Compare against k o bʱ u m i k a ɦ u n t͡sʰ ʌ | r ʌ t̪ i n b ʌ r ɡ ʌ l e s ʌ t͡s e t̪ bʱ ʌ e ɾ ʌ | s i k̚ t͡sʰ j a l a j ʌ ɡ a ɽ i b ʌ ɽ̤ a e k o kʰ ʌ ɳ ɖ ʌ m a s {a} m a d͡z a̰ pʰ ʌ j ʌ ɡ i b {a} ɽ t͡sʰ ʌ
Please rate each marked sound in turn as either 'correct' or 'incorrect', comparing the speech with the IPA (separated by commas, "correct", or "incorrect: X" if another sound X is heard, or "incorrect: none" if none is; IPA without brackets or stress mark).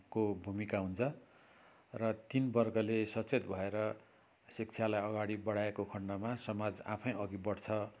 incorrect: ʌ, incorrect: ʌ